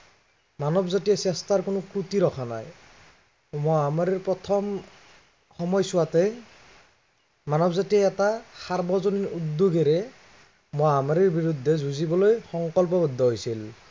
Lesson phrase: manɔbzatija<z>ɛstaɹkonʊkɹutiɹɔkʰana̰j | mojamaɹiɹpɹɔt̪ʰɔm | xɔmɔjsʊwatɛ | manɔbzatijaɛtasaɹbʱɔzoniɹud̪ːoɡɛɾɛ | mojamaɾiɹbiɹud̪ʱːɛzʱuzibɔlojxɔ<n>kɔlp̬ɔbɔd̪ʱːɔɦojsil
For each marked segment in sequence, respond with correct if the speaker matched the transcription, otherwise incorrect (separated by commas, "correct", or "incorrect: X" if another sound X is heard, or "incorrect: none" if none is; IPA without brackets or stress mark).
incorrect: s, incorrect: ŋ